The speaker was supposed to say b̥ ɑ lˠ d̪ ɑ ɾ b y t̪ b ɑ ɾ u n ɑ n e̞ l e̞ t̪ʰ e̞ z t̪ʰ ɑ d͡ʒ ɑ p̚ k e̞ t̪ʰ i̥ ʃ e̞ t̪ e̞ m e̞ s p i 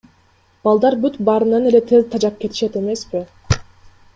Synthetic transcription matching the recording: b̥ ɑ lˠ d̪ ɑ ɾ b y t̪ b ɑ ɾ ɯ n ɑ n e̞ l e̞ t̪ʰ e̞ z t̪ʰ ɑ d͡ʒ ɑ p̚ k e̞ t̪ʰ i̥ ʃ e̞ t̪ e̞ m e̞ s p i